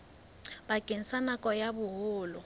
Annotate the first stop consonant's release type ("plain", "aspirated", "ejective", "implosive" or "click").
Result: plain